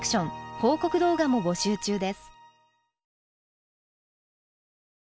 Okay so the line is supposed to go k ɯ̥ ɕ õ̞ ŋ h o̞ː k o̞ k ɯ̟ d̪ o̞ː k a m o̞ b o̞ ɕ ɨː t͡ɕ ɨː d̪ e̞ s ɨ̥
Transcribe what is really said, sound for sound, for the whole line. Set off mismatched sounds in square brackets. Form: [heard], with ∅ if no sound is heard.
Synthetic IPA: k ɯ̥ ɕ õ̞ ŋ h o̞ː k o̞ k ɯ̟ d̪ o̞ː [ɡ] a m o̞ b o̞ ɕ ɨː t͡ɕ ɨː d̪ e̞ s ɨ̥